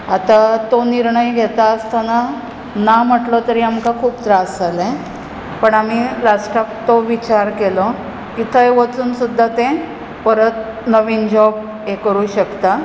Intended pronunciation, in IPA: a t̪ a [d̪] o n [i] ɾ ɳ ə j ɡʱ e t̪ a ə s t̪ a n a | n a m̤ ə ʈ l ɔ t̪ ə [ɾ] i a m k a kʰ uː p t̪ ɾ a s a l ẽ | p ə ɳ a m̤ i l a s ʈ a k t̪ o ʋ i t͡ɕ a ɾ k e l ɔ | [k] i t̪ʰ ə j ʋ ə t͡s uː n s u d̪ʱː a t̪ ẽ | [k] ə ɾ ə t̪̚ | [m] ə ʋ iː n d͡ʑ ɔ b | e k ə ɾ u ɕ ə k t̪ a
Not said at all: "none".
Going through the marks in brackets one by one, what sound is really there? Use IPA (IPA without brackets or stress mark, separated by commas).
t̪, i, ɾ, k, p, n